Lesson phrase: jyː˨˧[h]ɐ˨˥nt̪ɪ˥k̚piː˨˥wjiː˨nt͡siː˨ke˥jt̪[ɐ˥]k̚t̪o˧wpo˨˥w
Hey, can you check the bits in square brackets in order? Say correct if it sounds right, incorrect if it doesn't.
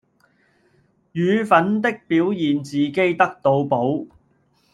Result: incorrect: f, correct

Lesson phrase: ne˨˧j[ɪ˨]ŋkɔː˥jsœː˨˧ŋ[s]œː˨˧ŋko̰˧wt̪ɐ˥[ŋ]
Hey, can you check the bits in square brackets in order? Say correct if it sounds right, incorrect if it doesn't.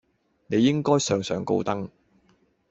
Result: incorrect: ɪ˥, correct, correct

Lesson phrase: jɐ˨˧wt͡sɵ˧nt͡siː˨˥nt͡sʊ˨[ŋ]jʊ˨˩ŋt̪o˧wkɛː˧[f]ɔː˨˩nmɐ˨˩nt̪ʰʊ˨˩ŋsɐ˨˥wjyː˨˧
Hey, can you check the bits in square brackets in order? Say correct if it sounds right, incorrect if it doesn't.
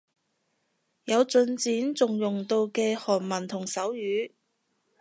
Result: correct, incorrect: h

